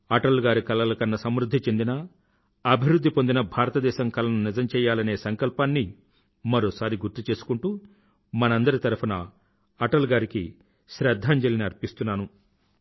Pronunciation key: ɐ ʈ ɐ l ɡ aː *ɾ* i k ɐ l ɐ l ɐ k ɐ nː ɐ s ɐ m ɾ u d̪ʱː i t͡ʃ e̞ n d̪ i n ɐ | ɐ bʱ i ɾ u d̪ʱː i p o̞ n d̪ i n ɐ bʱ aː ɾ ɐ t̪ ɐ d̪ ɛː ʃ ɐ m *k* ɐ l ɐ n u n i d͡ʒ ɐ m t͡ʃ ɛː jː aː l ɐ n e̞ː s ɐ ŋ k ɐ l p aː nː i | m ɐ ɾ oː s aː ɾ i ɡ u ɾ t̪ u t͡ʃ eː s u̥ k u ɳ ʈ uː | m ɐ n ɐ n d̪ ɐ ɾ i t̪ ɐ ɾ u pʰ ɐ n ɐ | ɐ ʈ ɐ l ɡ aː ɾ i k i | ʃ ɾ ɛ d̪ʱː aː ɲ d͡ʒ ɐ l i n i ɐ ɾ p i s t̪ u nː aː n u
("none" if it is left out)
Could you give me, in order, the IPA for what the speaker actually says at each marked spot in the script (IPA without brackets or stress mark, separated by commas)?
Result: ɾ, k